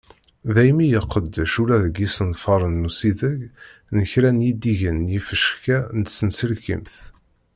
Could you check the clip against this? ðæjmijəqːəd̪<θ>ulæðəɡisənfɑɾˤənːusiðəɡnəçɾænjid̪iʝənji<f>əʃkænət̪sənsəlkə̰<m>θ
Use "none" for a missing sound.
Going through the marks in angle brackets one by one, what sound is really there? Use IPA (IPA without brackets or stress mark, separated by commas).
ʃ, f, m